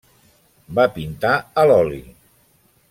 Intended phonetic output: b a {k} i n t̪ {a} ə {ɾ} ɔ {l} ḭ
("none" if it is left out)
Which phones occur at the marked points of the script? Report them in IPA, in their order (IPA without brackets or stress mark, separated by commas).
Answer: p, a, l, l